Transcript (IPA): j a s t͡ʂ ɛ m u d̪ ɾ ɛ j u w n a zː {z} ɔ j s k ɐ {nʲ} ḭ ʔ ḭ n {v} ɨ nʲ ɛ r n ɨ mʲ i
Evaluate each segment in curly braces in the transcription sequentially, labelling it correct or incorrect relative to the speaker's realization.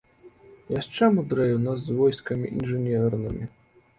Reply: incorrect: v, incorrect: mʲ, incorrect: ʐ

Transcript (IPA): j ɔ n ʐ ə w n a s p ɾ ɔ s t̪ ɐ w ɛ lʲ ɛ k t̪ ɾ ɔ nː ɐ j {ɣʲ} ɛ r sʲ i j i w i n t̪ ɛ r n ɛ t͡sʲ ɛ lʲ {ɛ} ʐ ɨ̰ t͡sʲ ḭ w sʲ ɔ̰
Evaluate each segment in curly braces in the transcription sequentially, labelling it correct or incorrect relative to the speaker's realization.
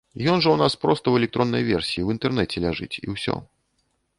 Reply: incorrect: vʲ, incorrect: a

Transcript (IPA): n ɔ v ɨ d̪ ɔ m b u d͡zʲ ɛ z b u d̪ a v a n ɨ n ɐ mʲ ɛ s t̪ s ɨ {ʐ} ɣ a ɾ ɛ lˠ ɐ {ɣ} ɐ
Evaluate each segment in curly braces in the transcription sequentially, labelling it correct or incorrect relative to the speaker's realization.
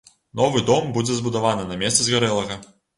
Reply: incorrect: z, correct

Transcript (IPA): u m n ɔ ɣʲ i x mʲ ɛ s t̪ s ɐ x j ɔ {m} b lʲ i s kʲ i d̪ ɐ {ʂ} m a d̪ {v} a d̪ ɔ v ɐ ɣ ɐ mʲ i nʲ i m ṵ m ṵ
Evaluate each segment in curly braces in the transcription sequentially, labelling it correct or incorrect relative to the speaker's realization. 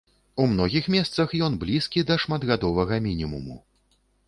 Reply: incorrect: n, correct, incorrect: ɣ

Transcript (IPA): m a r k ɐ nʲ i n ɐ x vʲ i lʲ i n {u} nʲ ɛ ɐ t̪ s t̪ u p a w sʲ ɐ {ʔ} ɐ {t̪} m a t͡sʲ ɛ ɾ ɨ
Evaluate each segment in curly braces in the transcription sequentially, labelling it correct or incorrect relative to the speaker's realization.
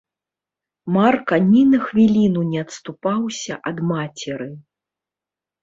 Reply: correct, correct, incorrect: d̪

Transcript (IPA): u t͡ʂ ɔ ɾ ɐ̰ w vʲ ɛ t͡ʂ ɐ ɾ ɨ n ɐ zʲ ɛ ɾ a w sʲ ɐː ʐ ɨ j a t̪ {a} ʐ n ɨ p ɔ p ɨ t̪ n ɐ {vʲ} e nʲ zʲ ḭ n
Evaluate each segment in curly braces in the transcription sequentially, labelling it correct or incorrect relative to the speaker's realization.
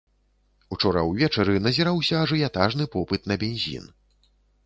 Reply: correct, incorrect: bʲ

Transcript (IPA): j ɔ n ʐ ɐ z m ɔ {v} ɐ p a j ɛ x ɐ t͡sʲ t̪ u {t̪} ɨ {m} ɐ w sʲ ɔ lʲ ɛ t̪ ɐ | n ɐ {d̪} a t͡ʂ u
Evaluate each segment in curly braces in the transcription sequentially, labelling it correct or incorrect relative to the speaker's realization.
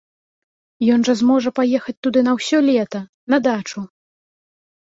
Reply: incorrect: ʐ, incorrect: d̪, incorrect: n, correct

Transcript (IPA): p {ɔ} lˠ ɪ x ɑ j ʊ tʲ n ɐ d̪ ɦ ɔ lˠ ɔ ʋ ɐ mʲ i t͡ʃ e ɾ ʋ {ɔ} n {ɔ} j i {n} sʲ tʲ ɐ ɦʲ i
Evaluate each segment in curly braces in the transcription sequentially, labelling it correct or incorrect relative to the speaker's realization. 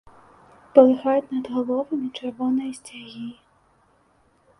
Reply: correct, correct, correct, incorrect: none

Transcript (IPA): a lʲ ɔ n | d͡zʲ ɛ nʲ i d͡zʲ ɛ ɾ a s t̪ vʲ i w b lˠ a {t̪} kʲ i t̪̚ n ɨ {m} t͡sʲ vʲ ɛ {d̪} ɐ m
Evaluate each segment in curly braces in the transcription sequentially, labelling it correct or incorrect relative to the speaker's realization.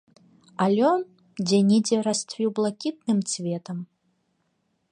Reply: incorrect: none, correct, incorrect: t̪

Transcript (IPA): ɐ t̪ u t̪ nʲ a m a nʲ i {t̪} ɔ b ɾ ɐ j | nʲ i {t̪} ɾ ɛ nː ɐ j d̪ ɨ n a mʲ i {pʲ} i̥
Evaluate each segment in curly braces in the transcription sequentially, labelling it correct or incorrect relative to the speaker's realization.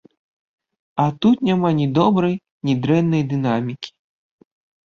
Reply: incorrect: d̪, incorrect: d̪, incorrect: kʲ

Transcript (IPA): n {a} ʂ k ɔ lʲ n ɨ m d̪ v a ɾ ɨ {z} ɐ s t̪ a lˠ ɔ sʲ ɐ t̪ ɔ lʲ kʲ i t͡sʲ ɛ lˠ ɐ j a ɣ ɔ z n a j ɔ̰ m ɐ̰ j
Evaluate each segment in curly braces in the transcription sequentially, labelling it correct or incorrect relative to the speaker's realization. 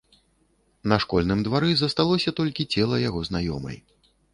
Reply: incorrect: ɐ, correct

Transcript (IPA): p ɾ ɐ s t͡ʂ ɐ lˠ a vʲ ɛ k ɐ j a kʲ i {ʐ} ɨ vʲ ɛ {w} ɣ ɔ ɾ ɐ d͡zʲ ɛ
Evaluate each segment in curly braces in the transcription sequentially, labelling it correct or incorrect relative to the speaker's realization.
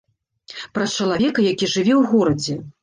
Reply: correct, correct

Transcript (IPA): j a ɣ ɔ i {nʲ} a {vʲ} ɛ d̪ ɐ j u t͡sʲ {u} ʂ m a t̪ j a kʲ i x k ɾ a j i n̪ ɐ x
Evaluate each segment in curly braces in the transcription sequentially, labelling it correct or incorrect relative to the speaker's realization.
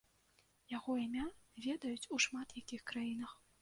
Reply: incorrect: mʲ, correct, correct

